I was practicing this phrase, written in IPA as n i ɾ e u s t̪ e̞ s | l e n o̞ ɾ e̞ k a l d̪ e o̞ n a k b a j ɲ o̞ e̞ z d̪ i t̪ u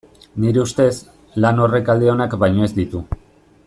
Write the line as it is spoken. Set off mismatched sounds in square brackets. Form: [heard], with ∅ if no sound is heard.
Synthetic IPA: n i ɾ e u s t̪ e̞ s | l [a] n o̞ [r] e̞ k a l d̪ e o̞ n a k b a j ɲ o̞ e̞ z d̪ i t̪ u